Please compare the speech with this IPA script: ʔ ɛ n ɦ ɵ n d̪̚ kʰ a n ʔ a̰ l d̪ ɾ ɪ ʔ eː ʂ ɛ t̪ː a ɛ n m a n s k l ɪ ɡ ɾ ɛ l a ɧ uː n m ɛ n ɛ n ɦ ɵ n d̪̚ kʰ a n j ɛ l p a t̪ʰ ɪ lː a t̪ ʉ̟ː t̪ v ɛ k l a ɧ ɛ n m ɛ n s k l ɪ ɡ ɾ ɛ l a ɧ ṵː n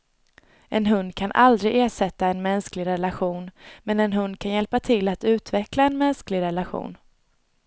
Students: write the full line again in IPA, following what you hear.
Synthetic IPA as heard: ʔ ɛ n ɦ ɵ n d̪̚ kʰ a n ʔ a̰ l d̪ ɾ ɪ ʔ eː ʂ ɛ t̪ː a ɛ n m ɛ n s k l ɪ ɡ ɾ ɛ l a ɧ uː n m ɛ n ɛ n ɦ ɵ n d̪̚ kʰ a n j ɛ l p a t̪ʰ ɪ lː a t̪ ʉ̟ː t̪ v ɛ k l a ɛ n m ɛ n s k l ɪ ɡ ɾ ɛ l a ɧ ṵː n